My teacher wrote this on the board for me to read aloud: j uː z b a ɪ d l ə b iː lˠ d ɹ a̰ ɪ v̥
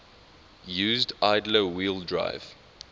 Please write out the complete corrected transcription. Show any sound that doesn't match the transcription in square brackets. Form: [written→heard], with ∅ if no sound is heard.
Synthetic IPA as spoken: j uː z [b→d] a ɪ d l ə [b→w] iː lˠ d ɹ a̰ ɪ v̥